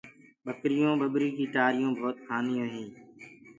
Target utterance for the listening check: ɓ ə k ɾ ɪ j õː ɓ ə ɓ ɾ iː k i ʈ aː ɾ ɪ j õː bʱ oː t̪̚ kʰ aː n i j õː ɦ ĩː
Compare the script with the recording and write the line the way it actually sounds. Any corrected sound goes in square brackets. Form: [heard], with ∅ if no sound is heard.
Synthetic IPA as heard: ɓ ə k ɾ ɪ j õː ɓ ə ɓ ɾ iː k [iː] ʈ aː ɾ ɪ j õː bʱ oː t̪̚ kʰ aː n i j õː ɦ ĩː